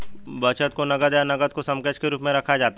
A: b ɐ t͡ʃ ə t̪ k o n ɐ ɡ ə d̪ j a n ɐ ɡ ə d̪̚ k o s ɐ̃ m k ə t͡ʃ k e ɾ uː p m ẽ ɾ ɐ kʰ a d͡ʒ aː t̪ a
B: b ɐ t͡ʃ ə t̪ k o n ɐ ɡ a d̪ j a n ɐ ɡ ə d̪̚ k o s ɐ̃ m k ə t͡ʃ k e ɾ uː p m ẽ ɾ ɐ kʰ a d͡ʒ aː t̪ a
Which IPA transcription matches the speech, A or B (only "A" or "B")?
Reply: A